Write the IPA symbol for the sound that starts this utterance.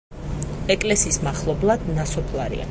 ɛ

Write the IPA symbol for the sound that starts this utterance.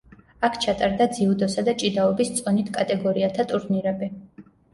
a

